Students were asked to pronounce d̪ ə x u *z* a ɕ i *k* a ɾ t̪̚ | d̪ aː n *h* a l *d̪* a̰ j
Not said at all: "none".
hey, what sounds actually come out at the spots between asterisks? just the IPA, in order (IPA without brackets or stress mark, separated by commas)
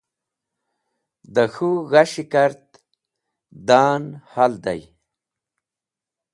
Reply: ɣ, k, h, d̪